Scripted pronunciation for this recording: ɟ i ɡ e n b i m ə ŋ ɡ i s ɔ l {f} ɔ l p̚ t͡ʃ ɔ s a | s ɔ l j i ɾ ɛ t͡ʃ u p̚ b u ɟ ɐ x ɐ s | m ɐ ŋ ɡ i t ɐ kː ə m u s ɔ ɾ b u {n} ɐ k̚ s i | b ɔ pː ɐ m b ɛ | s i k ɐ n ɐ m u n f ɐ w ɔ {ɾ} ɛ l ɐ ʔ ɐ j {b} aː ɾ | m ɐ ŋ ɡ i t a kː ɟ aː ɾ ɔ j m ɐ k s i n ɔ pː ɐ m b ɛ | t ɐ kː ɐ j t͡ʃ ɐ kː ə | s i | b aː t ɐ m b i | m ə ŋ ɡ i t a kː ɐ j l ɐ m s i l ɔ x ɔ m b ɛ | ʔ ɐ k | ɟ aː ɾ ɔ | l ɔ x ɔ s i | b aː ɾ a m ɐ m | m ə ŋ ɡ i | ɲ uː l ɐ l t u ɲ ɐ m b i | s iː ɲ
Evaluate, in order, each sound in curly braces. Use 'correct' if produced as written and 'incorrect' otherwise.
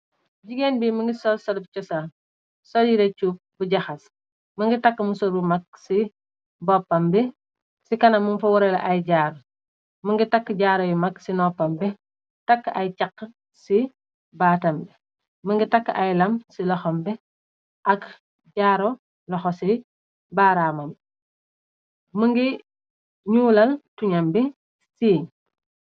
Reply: incorrect: s, incorrect: m, correct, incorrect: ɟ

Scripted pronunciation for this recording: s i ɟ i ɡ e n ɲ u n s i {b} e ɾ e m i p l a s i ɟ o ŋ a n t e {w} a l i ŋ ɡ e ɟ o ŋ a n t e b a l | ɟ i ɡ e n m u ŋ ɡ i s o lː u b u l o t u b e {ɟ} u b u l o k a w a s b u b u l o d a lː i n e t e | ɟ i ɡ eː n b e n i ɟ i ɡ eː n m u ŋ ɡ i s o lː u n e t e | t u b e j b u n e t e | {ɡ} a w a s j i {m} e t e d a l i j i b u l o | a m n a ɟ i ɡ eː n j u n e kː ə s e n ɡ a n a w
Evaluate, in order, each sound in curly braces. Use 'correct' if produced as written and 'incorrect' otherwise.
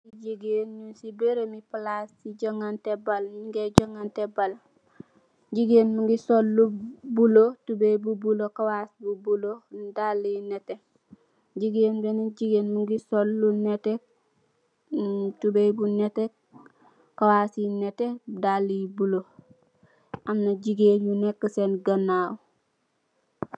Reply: correct, incorrect: b, incorrect: b, incorrect: k, incorrect: n

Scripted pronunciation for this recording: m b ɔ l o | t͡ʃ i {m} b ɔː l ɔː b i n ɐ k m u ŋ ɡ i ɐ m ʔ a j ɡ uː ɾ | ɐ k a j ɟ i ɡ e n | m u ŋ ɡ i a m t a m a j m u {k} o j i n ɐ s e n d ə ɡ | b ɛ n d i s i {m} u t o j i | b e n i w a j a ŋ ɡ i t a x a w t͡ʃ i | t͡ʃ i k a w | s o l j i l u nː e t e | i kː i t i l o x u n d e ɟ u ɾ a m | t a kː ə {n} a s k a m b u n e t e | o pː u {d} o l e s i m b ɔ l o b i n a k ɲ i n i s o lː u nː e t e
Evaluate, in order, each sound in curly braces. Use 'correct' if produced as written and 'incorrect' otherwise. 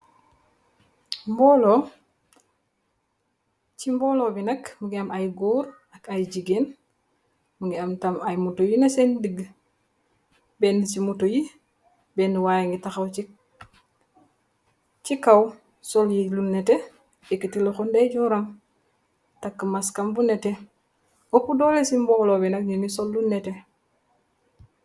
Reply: correct, incorrect: t, correct, incorrect: m, correct

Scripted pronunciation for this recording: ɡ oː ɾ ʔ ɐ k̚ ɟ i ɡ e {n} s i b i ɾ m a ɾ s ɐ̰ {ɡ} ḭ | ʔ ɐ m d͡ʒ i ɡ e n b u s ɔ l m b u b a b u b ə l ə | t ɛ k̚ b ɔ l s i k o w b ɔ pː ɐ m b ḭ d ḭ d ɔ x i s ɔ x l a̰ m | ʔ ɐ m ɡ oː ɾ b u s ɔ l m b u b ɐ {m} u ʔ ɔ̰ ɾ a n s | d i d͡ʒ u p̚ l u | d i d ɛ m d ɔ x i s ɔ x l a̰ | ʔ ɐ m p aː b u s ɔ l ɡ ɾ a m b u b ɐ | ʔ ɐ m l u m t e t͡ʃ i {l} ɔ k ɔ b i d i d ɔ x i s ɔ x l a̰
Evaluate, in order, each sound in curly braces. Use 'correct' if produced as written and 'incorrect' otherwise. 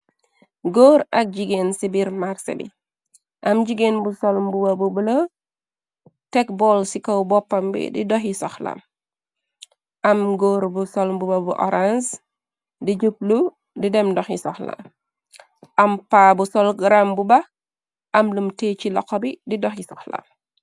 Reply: correct, incorrect: b, incorrect: b, correct

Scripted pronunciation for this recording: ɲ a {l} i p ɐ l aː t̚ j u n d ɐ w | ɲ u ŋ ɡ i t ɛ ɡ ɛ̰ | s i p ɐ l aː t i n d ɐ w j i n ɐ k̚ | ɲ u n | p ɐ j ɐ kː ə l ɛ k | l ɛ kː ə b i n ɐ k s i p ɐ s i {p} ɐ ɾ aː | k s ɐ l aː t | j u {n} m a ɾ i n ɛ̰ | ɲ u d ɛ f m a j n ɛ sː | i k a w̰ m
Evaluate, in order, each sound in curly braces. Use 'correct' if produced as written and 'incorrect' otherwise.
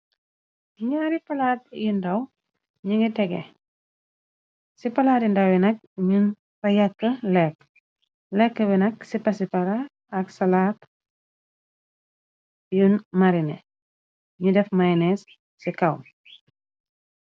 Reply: incorrect: ɾ, correct, correct

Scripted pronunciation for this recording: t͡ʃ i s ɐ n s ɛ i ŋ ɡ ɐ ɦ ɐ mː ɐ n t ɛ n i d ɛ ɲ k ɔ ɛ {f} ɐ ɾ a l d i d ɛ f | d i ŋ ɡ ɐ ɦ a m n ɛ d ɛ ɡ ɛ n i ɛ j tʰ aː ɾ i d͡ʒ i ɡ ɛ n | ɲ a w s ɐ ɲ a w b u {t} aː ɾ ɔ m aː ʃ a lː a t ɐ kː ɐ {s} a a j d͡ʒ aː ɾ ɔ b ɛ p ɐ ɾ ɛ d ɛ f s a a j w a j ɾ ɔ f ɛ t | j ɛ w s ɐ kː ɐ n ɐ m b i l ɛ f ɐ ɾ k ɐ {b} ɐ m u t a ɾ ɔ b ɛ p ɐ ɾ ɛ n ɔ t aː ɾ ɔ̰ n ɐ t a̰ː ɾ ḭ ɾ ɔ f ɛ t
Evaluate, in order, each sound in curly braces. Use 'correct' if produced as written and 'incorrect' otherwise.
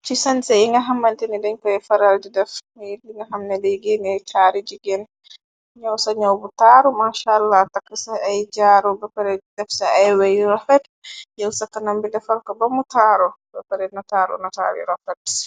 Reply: correct, correct, correct, correct

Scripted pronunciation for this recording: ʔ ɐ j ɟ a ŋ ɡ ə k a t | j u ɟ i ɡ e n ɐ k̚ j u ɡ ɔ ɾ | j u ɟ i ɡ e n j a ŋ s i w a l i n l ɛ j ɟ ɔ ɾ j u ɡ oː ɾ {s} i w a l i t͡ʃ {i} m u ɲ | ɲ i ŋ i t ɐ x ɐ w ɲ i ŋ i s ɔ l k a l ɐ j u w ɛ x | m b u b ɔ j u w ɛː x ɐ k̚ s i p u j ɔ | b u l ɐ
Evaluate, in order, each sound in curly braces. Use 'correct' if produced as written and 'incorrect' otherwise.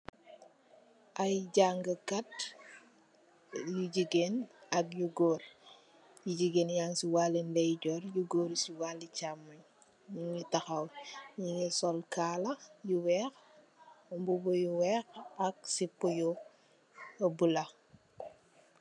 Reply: correct, incorrect: a

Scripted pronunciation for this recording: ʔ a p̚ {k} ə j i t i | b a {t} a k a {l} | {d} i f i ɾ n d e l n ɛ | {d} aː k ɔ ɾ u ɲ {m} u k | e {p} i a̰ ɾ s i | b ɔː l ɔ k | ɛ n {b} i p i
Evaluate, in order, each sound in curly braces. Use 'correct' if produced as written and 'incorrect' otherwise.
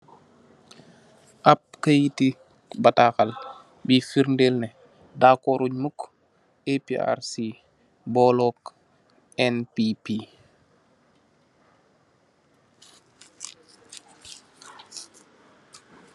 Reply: correct, correct, correct, incorrect: b, correct, correct, correct, incorrect: p

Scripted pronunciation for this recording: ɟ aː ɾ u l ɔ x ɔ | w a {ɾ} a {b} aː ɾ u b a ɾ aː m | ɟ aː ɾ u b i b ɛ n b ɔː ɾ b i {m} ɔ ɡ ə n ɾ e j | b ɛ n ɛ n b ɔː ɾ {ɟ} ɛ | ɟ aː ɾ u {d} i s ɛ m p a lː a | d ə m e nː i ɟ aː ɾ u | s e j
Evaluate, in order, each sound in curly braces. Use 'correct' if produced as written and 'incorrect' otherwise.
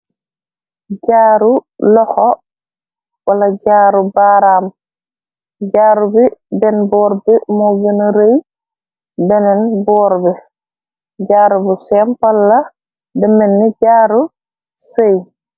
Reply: incorrect: l, incorrect: ɟ, correct, incorrect: b, incorrect: b

